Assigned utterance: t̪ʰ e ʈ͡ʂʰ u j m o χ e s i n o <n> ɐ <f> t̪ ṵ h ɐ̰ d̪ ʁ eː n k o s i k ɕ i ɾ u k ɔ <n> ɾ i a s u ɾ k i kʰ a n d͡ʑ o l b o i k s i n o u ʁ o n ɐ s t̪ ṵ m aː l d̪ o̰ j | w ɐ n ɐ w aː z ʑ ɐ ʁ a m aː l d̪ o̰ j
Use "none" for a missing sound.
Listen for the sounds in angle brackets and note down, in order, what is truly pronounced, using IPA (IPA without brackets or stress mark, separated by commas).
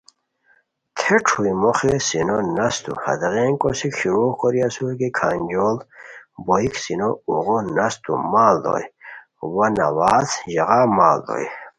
n, s, none